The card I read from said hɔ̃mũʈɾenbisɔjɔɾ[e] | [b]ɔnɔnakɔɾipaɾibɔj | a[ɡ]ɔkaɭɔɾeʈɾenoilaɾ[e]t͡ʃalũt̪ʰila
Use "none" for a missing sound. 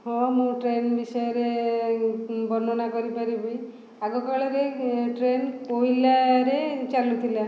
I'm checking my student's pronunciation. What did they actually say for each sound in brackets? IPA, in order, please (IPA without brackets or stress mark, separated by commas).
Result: e, b, ɡ, e